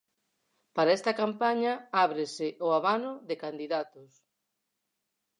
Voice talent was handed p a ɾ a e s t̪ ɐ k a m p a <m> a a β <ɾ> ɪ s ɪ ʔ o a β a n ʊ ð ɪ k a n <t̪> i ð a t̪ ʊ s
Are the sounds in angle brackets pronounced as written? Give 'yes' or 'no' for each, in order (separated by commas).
no, yes, no